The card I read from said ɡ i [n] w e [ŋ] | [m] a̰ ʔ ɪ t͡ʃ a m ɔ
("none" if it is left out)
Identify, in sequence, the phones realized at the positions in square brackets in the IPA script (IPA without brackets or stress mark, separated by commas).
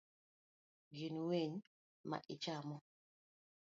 n, ɲ, m